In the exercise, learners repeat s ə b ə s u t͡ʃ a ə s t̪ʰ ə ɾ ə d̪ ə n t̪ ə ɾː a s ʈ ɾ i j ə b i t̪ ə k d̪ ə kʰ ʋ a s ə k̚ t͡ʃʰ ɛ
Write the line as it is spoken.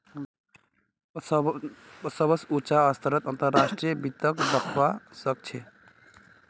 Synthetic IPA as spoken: s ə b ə s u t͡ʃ a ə s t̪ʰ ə ɾ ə t̪ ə n t̪ ə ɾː a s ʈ ɾ i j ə b i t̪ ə k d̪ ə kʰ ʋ a s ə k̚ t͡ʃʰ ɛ